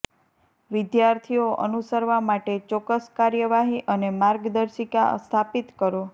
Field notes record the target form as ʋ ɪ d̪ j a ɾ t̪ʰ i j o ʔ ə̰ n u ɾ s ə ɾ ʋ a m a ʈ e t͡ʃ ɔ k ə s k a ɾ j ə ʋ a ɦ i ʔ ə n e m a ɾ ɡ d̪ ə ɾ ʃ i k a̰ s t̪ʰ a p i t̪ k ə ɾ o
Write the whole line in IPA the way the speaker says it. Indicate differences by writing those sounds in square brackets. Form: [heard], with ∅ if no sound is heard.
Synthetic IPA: ʋ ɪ d̪ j a ɾ t̪ʰ i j o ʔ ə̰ n u [∅] s ə ɾ ʋ a m a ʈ e t͡ʃ ɔ k ə s k a ɾ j ə ʋ a ɦ i ʔ ə n e m a ɾ ɡ d̪ ə ɾ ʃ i k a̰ s t̪ʰ a p i t̪ k ə ɾ o

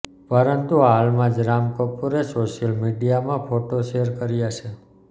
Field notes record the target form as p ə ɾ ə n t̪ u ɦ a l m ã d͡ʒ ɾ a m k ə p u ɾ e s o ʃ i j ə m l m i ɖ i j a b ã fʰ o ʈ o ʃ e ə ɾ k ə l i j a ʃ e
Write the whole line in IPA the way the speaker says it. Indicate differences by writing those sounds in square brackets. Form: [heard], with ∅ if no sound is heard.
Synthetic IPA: p ə ɾ ə n t̪ u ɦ a l m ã d͡ʒ ɾ a m k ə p u ɾ e s o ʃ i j ə [∅] l m i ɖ i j a [m] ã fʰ o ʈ o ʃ e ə ɾ k ə [ɾ] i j a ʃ e

